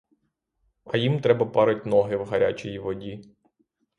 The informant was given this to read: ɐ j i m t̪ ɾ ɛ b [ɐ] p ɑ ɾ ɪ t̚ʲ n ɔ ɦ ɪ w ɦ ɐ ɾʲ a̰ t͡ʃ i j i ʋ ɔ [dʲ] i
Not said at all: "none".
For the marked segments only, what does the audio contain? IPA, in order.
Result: ɐ, dʲ

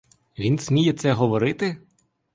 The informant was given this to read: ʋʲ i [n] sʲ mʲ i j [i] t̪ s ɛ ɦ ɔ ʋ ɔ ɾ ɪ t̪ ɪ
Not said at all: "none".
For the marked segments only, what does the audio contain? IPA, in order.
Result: n, ɛ

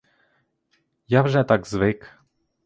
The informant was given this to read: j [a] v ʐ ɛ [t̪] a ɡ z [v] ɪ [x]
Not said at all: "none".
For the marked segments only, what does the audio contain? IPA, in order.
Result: a, t̪, v, k

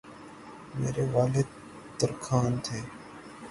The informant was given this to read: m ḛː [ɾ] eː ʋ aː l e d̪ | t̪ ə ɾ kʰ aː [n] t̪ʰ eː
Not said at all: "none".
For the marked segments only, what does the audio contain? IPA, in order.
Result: ɾ, n

